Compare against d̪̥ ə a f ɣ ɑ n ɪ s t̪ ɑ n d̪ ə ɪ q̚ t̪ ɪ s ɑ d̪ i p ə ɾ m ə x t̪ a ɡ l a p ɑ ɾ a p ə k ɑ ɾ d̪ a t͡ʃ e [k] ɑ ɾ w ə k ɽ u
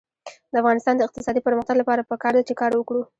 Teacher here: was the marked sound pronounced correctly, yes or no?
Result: yes